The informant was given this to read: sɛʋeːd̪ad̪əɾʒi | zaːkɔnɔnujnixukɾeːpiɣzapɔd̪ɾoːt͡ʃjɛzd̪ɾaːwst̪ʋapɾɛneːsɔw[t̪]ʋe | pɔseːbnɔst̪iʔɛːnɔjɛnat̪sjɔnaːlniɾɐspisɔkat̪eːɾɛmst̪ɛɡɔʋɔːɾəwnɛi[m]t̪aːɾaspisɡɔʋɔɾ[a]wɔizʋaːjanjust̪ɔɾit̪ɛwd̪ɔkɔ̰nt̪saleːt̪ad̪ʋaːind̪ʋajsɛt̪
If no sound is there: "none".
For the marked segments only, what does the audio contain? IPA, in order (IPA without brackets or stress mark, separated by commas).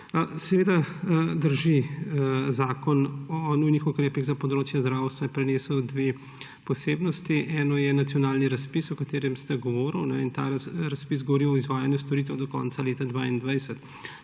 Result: d̪, n, i